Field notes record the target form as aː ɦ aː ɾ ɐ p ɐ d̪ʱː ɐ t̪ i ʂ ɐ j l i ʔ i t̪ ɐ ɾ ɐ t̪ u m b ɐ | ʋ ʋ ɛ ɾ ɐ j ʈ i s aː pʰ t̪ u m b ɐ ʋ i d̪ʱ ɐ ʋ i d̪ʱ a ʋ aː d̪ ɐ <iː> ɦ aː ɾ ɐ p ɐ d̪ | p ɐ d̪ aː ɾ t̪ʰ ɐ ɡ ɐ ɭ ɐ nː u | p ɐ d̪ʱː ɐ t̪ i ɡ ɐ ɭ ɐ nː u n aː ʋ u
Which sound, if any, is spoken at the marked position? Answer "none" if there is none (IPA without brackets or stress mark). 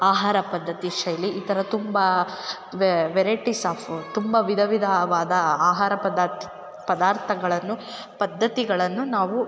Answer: aː